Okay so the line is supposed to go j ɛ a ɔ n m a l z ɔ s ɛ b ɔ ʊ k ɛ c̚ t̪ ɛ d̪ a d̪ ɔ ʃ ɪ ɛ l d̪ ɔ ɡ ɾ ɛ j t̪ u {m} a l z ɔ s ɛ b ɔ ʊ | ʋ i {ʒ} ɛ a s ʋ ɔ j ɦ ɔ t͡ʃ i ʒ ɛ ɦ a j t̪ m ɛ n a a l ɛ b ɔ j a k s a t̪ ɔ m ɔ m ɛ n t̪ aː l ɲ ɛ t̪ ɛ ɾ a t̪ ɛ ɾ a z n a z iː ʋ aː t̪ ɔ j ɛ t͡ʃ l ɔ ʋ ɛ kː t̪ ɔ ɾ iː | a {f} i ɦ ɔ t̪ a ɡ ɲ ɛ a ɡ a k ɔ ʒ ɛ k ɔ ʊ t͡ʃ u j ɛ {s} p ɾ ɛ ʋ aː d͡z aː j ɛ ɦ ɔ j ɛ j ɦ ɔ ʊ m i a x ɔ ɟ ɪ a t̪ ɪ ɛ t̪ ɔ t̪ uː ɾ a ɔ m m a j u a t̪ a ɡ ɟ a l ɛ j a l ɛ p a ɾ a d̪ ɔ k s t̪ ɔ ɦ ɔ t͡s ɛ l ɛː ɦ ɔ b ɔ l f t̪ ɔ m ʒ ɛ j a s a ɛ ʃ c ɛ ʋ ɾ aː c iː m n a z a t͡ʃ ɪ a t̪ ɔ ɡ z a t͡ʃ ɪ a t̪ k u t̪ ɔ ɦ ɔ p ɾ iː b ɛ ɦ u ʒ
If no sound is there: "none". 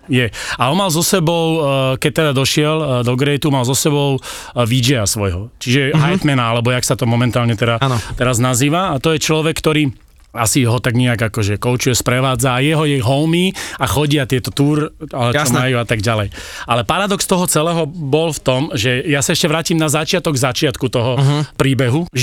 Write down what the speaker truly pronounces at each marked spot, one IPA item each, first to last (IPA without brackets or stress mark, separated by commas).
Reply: m, d͡ʒ, s, s